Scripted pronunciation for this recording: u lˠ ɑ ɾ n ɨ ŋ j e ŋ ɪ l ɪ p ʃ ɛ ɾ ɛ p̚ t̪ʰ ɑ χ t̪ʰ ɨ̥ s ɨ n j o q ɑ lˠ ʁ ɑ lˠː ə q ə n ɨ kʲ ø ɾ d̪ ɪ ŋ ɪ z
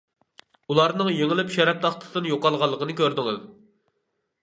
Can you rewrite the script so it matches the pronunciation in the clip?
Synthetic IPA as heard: u lˠ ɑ ɾ n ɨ ŋ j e ŋ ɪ l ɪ p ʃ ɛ ɾ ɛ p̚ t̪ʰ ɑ χ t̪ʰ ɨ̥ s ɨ n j o q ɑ lˠ ʁ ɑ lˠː ə q ə n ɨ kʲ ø ɾ d̪ ɪ ŋ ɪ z